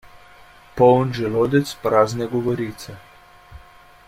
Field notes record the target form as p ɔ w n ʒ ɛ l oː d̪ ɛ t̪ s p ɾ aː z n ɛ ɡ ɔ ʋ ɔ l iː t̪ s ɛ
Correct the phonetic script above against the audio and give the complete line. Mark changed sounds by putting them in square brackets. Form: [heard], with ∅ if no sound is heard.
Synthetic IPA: p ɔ w n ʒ ɛ l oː d̪ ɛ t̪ s p ɾ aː z n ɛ ɡ ɔ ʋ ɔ [ɾ] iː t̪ s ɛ